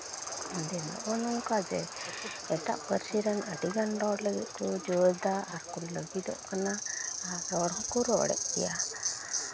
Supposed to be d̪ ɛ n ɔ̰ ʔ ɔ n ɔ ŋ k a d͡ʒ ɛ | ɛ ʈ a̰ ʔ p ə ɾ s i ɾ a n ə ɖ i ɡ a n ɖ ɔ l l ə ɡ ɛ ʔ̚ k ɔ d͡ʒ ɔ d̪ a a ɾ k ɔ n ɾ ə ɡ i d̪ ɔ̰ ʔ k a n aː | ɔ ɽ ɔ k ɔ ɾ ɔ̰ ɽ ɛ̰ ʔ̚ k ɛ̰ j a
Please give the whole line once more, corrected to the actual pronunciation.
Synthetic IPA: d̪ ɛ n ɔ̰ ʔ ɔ n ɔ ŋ k a d͡ʒ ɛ | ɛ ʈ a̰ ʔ p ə ɾ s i ɾ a n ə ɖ i ɡ a n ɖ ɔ ɽ l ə ɡ ɛ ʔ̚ k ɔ d͡ʒ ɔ d̪ a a ɾ k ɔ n l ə ɡ i d̪ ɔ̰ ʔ k a n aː | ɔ ɽ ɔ k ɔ ɾ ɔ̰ ɽ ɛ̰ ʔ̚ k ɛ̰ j a